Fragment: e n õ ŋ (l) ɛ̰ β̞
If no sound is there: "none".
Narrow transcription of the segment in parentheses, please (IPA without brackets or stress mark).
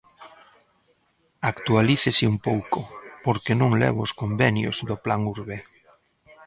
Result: l